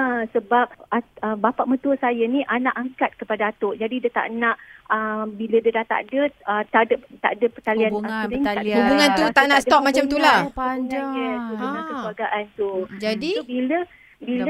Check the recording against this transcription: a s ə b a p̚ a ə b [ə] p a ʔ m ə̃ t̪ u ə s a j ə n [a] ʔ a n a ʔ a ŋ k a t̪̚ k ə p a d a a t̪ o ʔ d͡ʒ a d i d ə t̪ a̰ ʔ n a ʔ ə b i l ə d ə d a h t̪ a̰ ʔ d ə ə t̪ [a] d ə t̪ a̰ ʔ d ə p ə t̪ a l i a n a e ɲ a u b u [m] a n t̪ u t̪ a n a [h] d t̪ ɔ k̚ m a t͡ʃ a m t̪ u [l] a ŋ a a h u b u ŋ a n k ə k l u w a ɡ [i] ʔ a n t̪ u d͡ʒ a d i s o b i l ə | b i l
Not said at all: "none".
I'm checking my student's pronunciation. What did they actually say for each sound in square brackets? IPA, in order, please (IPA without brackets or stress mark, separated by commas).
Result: a, i, a, ŋ, s, l, a